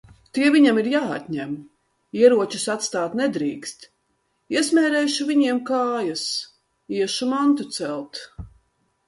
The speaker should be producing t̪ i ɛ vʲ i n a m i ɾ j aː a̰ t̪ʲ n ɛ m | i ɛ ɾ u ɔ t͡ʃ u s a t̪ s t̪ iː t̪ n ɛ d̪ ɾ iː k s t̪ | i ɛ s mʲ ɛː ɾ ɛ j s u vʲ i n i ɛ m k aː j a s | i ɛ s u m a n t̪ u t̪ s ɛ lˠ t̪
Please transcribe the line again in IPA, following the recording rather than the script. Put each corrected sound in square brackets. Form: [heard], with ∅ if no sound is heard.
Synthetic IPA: t̪ i ɛ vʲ i [ɲ] a m i ɾ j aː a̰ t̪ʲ [ɲ] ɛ m | i ɛ ɾ u ɔ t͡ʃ u s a t̪ s t̪ [aː] t̪ n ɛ d̪ ɾ iː k s t̪ | i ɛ s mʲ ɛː ɾ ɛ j [ʃ] u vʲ i [ɲ] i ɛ m k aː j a s | i ɛ [ʃ] u m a n t̪ u t̪ s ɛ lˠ t̪